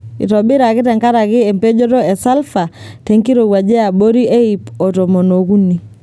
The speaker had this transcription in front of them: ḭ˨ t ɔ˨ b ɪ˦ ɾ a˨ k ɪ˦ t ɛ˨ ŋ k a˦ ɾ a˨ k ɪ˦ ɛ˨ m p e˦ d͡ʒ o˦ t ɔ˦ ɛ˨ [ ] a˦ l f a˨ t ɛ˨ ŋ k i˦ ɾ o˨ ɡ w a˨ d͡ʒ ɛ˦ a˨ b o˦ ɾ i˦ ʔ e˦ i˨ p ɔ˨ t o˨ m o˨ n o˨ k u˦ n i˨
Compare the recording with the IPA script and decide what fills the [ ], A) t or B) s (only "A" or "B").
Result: B